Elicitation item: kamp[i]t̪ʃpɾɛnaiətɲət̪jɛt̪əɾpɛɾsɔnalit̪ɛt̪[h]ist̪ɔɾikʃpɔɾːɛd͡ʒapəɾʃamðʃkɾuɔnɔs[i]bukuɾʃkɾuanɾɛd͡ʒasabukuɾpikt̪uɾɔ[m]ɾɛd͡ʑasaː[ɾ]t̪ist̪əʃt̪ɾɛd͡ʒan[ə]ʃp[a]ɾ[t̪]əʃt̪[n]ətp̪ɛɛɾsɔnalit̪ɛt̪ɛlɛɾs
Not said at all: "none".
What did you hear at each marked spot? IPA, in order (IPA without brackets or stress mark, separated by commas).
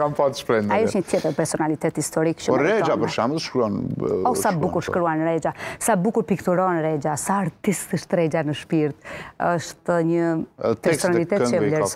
a, h, a, n, ɾ, ə, i, t̪, ɲ